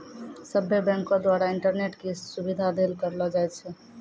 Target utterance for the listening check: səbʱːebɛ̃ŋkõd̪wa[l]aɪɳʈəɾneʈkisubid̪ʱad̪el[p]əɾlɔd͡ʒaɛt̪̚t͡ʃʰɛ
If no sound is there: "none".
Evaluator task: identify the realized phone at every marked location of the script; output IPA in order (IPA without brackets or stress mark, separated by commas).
ɾ, k